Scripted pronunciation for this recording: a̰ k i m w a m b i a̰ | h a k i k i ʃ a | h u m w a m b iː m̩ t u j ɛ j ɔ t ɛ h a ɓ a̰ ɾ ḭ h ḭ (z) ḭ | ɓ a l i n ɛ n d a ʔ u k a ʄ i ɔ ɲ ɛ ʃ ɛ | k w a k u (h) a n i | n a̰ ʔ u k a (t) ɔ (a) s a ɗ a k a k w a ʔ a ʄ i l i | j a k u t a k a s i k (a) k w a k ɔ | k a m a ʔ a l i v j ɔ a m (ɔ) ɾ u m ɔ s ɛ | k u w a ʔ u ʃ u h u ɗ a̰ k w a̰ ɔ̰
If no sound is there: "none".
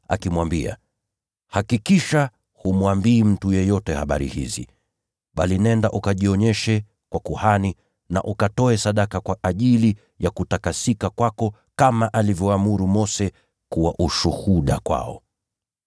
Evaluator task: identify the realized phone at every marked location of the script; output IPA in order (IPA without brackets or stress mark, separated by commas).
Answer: z, h, t, ɛ, a, u